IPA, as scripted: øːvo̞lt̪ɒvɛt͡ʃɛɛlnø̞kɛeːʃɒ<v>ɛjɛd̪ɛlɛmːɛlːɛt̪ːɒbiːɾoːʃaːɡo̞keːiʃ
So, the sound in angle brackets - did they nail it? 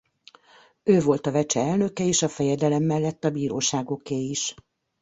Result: no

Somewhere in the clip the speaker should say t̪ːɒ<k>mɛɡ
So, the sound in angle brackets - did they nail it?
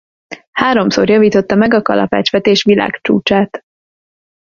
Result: no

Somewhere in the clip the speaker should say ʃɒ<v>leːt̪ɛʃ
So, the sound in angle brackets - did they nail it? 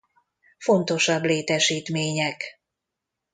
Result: no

